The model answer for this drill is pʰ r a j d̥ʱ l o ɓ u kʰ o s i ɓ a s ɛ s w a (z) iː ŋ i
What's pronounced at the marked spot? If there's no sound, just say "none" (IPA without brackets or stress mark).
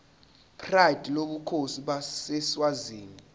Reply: z